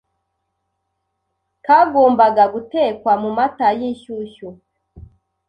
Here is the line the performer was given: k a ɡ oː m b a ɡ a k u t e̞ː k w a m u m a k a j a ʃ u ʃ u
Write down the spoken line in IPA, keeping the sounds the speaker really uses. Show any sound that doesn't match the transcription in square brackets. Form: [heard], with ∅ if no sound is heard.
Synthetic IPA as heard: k a ɡ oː m b a ɡ a [ɡ] u t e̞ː k w a m u m a [t] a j [i] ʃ u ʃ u